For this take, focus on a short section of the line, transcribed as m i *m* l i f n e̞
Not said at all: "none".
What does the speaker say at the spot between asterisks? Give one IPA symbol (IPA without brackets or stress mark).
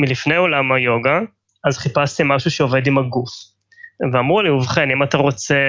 none